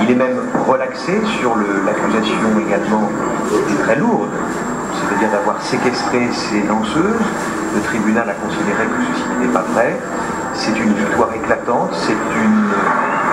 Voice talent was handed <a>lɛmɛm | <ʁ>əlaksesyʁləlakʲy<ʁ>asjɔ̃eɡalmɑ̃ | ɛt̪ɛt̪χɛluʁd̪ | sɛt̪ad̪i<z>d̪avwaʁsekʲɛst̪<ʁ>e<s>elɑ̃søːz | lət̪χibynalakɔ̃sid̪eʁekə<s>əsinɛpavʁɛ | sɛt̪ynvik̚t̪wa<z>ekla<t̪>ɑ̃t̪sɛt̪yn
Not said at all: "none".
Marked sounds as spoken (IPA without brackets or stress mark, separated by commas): i, ʁ, z, ʁ, χ, s, s, ʁ, t̪